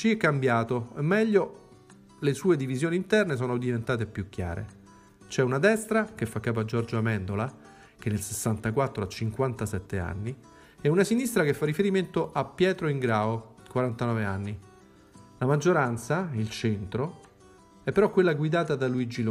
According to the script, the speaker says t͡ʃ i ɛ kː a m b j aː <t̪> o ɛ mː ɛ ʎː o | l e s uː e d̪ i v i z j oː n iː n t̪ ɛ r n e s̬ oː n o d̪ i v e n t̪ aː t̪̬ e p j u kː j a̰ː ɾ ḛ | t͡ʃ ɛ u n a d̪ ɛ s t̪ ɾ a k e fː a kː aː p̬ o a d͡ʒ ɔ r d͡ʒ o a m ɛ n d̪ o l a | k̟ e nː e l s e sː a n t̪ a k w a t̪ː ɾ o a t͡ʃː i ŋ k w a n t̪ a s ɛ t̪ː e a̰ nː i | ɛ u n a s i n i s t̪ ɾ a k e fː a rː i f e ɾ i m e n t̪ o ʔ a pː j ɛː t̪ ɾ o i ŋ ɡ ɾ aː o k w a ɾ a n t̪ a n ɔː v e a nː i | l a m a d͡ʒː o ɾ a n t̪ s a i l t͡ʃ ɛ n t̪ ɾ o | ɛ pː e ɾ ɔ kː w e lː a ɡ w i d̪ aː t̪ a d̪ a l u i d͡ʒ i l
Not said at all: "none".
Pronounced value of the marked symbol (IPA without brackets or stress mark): t̪